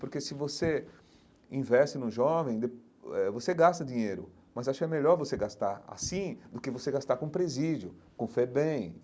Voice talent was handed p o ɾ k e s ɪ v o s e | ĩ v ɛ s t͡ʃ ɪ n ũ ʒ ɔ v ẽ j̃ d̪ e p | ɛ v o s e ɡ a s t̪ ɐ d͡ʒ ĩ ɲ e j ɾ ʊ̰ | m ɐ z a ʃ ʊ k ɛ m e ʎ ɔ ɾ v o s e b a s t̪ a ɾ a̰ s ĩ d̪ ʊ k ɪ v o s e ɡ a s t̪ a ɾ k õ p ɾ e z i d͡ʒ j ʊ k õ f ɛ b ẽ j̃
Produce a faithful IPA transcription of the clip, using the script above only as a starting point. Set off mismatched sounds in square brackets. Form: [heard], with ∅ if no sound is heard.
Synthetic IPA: p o ɾ k e s ɪ v o s e | ĩ v ɛ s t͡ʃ ɪ n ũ ʒ ɔ v ẽ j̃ d̪ e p | ɛ v o s e ɡ a s t̪ ɐ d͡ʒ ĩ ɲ e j ɾ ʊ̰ | m ɐ z a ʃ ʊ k ɛ m e ʎ ɔ ɾ v o s e [ɡ] a s t̪ a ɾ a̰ s ĩ d̪ ʊ k ɪ v o s e ɡ a s t̪ a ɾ k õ p ɾ e z i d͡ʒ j ʊ k õ f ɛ b ẽ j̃